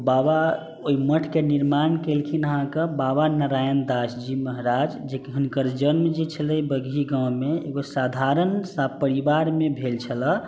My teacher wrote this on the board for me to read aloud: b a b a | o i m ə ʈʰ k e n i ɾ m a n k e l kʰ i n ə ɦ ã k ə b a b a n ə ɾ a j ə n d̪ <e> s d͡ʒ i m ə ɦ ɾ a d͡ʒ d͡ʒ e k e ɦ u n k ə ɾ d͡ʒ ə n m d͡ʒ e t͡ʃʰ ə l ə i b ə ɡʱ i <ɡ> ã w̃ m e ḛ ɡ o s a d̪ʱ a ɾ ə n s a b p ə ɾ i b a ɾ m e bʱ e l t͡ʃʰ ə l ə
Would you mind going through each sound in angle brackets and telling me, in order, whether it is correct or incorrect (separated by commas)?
incorrect, correct